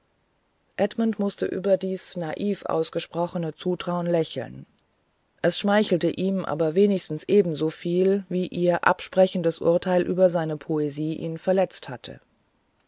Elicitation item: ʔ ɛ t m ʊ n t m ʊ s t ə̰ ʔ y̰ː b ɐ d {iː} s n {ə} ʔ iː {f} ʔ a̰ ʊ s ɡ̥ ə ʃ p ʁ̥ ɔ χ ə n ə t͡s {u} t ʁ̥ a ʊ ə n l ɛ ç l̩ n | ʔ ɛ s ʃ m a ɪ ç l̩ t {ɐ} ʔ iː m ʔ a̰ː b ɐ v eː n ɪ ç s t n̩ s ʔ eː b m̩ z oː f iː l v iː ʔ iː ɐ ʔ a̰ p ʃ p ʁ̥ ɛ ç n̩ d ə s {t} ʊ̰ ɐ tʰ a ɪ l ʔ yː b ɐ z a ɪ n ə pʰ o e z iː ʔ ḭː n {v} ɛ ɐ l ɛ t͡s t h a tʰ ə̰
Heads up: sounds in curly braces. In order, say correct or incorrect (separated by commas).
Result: correct, incorrect, correct, incorrect, incorrect, incorrect, incorrect